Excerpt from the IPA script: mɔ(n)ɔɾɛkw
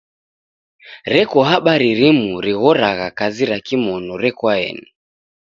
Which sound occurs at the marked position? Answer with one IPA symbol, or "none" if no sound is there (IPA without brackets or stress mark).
n